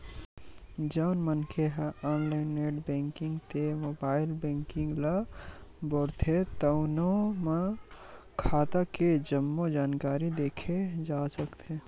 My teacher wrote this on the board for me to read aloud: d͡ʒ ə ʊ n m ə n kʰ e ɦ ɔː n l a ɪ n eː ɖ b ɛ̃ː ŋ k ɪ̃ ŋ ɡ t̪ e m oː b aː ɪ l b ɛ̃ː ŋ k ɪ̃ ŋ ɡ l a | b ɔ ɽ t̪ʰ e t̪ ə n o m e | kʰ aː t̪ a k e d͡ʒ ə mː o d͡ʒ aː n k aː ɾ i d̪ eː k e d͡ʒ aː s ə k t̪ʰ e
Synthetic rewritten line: d͡ʒ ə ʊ n m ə n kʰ e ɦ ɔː n l a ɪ n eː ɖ b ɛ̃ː ŋ k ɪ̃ ŋ ɡ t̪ e m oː b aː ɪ l b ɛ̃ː ŋ k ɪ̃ ŋ ɡ l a | b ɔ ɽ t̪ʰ e t̪ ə n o m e | kʰ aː t̪ a k e d͡ʒ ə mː o d͡ʒ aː n k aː ɾ i d̪ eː kʰ e d͡ʒ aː s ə k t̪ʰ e